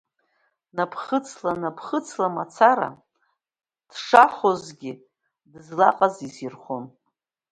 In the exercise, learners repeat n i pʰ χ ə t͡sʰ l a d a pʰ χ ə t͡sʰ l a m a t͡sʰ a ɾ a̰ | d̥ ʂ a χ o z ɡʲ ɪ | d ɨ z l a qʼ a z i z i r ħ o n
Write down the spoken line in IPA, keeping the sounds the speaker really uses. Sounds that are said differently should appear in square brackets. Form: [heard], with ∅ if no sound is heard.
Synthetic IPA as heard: n [a] pʰ χ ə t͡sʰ l a [n] a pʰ χ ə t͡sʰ l a m a t͡sʰ a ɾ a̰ | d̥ ʂ a χ o z ɡʲ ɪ | d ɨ z l a qʼ a z i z i r [χ] o n